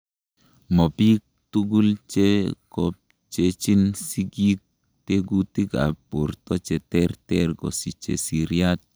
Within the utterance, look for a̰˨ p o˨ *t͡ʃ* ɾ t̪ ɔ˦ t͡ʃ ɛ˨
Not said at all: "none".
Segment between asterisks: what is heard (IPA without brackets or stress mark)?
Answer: none